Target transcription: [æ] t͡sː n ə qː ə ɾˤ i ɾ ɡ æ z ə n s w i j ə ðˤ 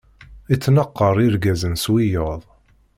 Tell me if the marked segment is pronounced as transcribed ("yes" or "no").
no